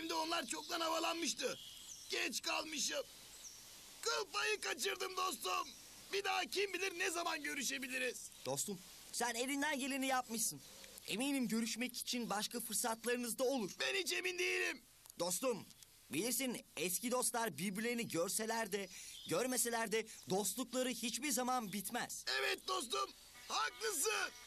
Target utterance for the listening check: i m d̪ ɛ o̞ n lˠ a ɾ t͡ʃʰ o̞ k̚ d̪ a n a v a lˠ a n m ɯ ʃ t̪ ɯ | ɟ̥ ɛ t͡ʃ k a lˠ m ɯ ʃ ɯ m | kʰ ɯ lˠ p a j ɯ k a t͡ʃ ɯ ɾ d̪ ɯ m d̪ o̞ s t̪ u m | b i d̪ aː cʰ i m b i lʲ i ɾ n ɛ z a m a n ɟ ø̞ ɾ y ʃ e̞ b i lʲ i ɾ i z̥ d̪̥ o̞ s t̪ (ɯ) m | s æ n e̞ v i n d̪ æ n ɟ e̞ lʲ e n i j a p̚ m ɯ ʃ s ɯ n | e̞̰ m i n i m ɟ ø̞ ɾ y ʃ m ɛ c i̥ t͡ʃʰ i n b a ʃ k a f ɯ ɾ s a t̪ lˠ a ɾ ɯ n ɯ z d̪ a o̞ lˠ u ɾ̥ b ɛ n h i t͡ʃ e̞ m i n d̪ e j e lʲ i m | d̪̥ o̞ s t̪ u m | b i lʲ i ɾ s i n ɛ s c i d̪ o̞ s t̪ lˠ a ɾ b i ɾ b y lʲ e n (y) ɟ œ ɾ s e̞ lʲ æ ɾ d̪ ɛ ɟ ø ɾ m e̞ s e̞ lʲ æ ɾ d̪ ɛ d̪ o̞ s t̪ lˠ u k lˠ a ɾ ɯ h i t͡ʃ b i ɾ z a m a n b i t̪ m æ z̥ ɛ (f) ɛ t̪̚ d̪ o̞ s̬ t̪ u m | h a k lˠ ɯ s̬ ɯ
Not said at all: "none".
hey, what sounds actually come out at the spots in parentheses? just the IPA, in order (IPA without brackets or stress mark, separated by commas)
u, i, v